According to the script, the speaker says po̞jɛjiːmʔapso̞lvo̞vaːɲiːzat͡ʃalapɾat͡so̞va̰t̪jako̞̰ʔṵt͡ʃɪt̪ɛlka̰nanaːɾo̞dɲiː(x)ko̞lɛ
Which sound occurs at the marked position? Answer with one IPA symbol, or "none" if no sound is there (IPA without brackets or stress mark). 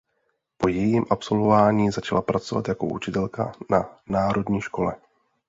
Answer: ʃ